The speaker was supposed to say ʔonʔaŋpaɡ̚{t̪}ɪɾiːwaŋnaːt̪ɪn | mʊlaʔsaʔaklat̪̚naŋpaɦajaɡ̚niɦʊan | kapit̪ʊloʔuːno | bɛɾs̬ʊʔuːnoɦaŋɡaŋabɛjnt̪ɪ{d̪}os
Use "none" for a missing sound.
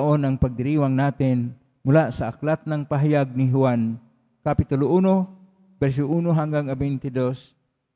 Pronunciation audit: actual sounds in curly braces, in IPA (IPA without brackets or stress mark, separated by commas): d̪, d̪